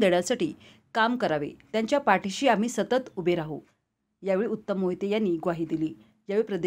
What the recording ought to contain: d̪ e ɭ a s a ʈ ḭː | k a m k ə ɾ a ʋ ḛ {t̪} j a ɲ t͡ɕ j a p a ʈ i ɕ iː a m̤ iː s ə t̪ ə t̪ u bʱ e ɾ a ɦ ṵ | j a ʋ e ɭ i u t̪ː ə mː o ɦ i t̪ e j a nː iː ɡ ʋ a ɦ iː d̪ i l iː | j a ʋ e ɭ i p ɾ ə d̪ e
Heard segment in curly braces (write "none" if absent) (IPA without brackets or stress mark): t̪